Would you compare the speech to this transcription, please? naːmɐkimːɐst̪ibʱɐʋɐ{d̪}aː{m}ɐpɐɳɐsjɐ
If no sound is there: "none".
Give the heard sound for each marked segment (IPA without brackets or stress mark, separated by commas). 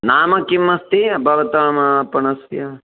t̪, m